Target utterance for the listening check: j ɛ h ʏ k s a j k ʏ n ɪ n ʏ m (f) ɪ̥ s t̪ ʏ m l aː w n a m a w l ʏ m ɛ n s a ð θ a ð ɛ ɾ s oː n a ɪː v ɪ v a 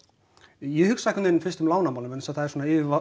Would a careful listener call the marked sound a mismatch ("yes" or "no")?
no